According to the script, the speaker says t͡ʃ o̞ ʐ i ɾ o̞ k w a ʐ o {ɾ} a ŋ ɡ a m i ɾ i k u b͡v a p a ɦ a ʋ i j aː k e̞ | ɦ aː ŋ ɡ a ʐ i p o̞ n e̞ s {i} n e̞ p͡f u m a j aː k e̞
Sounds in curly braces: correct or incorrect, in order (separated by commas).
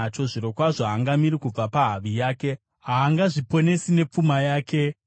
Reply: incorrect, correct